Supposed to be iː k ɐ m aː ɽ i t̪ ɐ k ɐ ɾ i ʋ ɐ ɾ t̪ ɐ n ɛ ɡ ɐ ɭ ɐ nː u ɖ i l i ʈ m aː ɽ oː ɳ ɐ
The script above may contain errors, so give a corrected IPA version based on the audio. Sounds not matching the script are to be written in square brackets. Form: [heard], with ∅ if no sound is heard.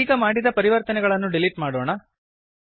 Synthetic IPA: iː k ɐ m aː ɽ i [d̪] ɐ [p] ɐ ɾ i ʋ ɐ ɾ t̪ ɐ n ɛ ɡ ɐ ɭ ɐ nː u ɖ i l i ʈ m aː ɽ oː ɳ ɐ